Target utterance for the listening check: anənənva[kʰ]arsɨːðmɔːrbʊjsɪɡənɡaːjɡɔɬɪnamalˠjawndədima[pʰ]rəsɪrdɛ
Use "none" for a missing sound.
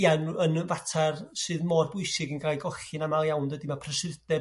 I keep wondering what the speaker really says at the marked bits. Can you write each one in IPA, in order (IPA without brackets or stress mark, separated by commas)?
tʰ, pʰ